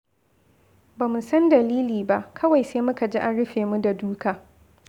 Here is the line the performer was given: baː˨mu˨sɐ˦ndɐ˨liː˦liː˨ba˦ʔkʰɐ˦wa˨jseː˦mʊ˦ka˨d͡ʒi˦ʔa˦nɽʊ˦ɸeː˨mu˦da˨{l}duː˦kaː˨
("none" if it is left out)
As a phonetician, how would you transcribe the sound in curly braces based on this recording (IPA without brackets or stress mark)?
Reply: none